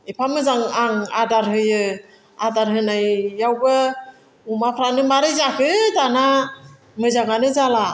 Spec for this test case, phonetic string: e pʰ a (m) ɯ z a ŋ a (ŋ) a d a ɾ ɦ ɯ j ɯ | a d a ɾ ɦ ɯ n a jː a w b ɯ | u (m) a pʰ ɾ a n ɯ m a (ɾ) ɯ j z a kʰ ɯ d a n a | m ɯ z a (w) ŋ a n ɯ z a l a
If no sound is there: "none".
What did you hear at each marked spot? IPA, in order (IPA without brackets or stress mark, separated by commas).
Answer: m, ŋ, m, ɾ, none